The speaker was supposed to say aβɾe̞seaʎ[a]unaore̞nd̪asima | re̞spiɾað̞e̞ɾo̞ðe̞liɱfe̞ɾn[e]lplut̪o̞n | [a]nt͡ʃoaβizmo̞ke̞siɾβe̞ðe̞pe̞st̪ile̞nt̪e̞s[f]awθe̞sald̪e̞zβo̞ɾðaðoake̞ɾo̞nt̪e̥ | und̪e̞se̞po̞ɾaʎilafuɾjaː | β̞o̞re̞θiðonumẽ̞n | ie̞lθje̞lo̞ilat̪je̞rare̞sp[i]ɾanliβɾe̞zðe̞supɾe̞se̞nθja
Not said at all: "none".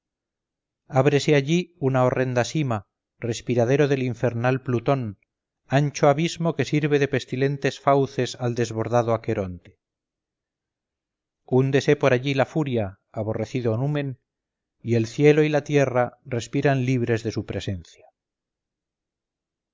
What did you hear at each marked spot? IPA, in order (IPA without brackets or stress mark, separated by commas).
i, a, a, f, i